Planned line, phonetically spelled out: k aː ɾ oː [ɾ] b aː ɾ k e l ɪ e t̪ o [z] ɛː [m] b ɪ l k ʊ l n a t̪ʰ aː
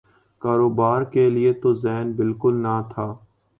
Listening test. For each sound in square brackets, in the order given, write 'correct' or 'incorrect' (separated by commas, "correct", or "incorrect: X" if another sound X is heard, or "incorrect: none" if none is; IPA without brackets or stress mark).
incorrect: none, correct, incorrect: n